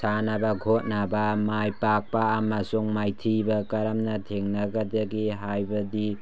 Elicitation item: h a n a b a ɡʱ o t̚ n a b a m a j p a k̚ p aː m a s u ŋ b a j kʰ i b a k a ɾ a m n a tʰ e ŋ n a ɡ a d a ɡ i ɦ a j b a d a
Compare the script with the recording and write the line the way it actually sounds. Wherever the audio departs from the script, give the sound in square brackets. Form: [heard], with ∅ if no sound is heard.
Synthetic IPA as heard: [s] a n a b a ɡʱ o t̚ n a b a m a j p a k̚ p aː m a s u ŋ [m] a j [tʰ] i b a k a ɾ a m n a tʰ e ŋ n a ɡ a d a ɡ i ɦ a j b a d [i]

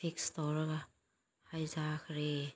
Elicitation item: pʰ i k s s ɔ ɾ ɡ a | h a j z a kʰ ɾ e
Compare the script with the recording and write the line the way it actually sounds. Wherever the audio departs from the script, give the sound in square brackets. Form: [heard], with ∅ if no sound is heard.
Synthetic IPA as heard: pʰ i k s [t] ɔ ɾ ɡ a | h a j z a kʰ ɾ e

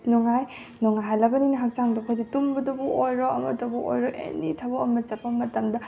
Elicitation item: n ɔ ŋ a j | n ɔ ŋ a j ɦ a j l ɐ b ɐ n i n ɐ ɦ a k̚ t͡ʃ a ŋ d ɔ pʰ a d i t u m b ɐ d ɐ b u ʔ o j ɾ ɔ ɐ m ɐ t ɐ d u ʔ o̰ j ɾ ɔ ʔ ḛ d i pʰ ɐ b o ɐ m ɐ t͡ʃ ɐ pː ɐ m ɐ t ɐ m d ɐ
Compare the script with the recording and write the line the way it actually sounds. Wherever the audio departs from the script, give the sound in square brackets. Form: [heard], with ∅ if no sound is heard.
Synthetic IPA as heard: n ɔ ŋ a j | n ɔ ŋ a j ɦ a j l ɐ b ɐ n i n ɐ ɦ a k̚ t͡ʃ a ŋ d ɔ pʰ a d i t u m b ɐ d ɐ b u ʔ o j ɾ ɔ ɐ m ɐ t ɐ [b] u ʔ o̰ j ɾ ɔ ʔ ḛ [n] i [tʰ] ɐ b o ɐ m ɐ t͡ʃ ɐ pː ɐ m ɐ t ɐ m d ɐ

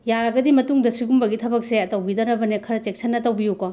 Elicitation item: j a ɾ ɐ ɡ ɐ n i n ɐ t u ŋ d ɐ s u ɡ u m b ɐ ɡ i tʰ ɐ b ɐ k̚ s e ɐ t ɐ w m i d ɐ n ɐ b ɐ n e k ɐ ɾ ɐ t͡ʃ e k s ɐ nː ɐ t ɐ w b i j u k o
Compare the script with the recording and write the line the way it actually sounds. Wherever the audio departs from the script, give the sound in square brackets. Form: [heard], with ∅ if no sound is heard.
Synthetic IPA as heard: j a ɾ ɐ ɡ ɐ [d] i [m] ɐ t u ŋ d ɐ s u ɡ u m b ɐ ɡ i tʰ ɐ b ɐ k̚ s e ɐ t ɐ w [b] i d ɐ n ɐ b ɐ n e [kʰ] ɐ ɾ ɐ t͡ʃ e k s ɐ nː ɐ t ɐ w b i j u k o

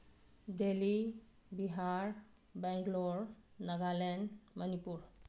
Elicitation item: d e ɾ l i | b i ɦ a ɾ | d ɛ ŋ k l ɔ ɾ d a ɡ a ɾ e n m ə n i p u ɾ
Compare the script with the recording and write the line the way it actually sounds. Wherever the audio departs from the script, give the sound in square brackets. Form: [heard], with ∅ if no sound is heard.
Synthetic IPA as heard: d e [∅] l i | b i ɦ a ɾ | [b] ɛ ŋ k l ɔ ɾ [n] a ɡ a [l] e n m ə n i p u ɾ

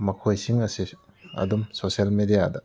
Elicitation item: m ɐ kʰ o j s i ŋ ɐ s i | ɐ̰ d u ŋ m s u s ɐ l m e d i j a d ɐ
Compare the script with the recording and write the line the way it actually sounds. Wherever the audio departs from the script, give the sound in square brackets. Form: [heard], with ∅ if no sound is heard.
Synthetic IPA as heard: m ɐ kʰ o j s i ŋ ɐ s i | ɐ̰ d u [∅] m s [o] s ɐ l m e d i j a d ɐ

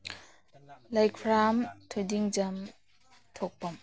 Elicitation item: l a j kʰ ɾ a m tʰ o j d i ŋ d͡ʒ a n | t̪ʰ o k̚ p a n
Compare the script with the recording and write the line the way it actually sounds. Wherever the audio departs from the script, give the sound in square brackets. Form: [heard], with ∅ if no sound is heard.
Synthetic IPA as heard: l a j kʰ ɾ a m tʰ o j d i ŋ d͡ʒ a [m] | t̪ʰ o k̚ p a [m]

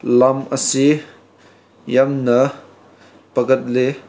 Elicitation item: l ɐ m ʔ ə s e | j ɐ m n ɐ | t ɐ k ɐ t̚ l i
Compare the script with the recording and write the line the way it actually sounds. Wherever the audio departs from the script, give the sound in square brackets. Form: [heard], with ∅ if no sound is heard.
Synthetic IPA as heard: l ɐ m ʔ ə s [i] | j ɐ m n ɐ | [p] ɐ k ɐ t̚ l [e]

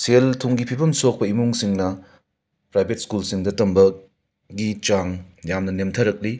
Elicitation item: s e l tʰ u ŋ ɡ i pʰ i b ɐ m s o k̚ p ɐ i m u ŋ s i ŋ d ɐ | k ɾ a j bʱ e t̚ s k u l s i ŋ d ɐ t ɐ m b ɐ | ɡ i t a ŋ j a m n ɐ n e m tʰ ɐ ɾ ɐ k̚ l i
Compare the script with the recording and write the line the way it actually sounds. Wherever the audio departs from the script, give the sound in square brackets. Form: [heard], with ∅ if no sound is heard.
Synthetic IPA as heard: s e l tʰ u ŋ ɡ i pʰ i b ɐ m s o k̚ p ɐ i m u ŋ s i ŋ [n] ɐ | [p] ɾ a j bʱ e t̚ s k u l s i ŋ d ɐ t ɐ m b ɐ | ɡ i [t͡ʃ] a ŋ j a m n ɐ n e m tʰ ɐ ɾ ɐ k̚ l i

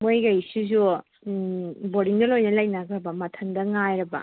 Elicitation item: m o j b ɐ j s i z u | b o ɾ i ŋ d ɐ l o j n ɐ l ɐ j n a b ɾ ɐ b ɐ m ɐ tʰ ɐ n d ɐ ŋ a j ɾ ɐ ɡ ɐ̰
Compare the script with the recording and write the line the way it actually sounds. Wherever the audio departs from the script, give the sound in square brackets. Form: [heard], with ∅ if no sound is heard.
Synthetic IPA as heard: m o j [ɡ] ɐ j s i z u | b o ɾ i ŋ d ɐ l o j n ɐ l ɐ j n a [ɡ] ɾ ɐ b ɐ m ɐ tʰ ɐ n d ɐ ŋ a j ɾ ɐ [b] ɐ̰

